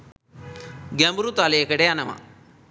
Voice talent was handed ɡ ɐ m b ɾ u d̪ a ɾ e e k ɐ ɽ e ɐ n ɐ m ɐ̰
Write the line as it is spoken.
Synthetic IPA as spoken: ɡ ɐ m b ɾ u t̪ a l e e k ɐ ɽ e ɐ n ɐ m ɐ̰